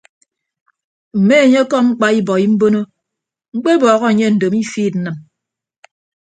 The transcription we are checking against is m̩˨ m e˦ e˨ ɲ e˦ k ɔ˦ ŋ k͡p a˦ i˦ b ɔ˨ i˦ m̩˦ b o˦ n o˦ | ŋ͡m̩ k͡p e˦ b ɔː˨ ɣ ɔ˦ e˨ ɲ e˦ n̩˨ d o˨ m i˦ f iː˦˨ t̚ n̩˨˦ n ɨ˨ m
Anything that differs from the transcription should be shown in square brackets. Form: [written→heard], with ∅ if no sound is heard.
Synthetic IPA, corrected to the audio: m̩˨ m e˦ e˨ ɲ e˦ k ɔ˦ [ŋ→ŋ͡m̩] k͡p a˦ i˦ b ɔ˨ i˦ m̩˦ b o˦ n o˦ | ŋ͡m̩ k͡p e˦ b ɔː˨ ɣ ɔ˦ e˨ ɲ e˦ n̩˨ d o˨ m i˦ f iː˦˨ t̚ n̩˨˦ n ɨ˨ m